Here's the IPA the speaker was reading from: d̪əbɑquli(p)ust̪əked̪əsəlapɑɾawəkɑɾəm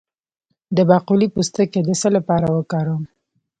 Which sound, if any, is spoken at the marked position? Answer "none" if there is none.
p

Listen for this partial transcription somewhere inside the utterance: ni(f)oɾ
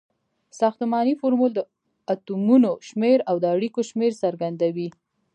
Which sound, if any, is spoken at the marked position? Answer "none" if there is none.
f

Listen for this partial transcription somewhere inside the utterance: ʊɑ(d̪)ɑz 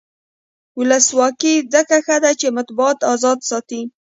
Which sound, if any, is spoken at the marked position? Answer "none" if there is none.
t̪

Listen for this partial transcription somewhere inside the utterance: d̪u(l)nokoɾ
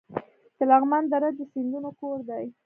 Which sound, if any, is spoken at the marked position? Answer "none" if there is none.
none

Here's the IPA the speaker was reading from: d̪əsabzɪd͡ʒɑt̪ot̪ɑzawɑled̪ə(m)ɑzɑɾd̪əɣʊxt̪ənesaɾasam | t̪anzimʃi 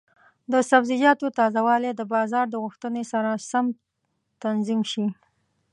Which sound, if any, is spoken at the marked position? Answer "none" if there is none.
b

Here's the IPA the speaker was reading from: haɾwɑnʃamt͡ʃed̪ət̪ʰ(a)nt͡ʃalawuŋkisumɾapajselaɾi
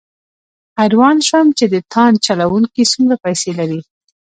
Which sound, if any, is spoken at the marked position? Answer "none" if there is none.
ɑ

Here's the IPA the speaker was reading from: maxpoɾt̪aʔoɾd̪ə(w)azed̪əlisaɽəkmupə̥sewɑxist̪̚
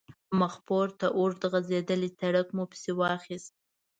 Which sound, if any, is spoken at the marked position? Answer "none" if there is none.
ɣ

